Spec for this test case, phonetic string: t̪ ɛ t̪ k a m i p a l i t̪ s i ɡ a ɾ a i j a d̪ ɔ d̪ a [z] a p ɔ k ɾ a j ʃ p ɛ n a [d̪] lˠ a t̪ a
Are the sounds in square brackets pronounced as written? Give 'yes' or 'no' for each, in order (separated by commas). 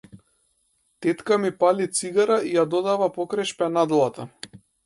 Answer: no, yes